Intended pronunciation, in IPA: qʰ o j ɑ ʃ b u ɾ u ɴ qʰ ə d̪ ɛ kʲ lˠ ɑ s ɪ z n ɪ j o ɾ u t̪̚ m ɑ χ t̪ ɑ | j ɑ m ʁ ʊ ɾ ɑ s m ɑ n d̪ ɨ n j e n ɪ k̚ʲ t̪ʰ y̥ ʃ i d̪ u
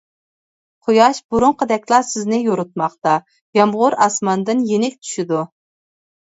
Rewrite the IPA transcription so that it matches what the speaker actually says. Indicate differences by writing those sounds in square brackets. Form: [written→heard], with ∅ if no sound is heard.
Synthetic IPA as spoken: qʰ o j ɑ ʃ b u ɾ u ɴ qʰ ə d̪ ɛ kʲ lˠ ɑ s ɪ z n ɪ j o ɾ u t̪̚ m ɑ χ t̪ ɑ | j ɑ m ʁ ʊ ɾ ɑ s m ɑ n d̪ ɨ n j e n ɪ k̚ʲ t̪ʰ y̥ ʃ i d̪ u